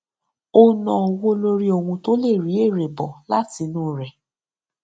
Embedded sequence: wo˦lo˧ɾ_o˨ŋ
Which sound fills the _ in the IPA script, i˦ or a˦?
i˦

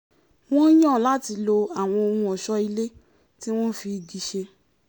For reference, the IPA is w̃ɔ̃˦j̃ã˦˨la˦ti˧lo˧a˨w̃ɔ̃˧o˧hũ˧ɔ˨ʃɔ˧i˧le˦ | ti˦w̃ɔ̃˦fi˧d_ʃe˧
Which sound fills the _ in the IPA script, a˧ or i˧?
i˧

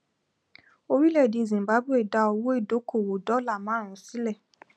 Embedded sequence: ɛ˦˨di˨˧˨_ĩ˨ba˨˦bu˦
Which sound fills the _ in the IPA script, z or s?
z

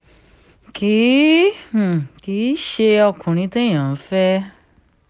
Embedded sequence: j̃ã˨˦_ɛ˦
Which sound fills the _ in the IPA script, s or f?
f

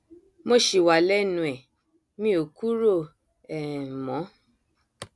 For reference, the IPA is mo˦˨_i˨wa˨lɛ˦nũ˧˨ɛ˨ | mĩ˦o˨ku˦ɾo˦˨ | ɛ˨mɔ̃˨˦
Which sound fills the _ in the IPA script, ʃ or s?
ʃ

